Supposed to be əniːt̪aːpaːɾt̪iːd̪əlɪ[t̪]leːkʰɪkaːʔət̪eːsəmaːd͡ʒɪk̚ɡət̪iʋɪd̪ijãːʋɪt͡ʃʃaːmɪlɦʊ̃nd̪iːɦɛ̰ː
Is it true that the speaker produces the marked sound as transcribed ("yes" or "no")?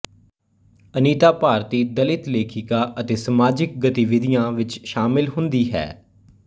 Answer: yes